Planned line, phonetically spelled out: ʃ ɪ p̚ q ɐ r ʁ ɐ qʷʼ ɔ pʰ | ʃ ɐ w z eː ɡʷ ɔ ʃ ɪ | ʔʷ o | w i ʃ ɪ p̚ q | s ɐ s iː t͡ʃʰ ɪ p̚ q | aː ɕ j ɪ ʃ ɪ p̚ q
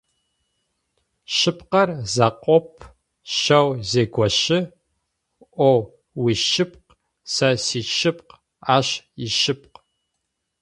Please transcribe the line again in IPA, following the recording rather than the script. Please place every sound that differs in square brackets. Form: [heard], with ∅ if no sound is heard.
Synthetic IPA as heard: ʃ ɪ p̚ q ɐ r [z] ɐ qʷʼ ɔ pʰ | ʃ ɐ w z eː ɡʷ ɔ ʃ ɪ | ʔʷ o | w i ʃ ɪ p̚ q | s ɐ s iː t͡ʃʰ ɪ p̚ q | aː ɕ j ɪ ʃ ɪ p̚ q